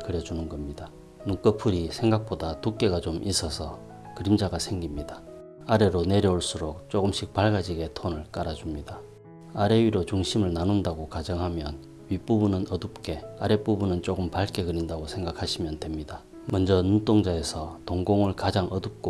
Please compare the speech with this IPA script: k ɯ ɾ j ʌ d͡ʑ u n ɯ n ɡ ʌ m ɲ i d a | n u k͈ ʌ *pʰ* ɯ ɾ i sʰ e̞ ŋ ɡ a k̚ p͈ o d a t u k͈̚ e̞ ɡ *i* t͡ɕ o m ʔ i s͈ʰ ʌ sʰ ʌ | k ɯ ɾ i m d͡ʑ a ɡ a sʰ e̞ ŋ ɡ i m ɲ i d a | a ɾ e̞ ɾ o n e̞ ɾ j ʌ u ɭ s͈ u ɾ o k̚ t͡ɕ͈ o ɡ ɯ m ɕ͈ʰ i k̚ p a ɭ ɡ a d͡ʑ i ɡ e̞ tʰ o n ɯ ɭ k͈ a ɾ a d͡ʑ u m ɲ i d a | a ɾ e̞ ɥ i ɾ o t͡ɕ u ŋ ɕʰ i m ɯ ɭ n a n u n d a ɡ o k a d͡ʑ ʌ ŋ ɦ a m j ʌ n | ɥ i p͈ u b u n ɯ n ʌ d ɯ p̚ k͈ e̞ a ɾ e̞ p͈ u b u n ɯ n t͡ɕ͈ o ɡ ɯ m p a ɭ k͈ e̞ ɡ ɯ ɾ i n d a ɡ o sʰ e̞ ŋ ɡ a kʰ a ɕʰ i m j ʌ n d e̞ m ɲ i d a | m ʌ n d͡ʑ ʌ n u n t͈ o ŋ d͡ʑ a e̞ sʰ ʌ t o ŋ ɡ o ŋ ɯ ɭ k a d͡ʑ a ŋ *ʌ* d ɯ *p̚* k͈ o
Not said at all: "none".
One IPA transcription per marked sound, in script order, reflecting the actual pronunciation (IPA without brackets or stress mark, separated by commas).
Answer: pʰ, a, ʌ, p̚